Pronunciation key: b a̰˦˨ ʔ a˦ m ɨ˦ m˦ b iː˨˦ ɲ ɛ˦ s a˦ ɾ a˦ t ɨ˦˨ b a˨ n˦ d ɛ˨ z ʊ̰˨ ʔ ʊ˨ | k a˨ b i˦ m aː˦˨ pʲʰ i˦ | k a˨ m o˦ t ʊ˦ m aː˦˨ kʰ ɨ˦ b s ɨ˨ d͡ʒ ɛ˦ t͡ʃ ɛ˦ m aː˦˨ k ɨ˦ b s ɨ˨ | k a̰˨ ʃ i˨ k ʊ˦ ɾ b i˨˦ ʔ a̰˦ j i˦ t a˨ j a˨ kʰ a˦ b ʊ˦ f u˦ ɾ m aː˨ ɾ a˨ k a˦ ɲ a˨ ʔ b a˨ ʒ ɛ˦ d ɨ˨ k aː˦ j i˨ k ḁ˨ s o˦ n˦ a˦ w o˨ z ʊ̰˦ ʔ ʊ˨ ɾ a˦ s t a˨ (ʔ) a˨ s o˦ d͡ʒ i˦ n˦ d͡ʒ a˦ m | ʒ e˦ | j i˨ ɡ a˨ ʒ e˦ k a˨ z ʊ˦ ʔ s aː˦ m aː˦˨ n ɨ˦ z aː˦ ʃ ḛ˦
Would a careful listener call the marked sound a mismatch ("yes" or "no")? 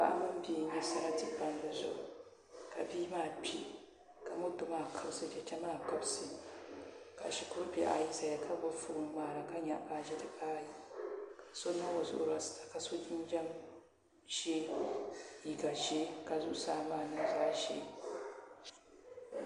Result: yes